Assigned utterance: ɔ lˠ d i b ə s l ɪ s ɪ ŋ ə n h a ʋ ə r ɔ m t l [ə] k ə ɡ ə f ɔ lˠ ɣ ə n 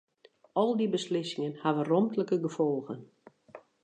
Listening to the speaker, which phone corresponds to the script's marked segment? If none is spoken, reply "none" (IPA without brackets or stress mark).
ə